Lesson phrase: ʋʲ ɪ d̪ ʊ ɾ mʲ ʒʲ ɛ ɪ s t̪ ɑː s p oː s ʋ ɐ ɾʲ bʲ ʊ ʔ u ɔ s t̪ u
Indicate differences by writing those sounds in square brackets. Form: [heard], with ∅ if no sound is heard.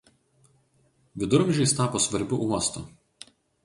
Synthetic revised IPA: ʋʲ ɪ d̪ ʊ ɾ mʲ ʒʲ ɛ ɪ s t̪ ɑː [∅] p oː s ʋ ɐ ɾʲ bʲ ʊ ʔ u ɔ s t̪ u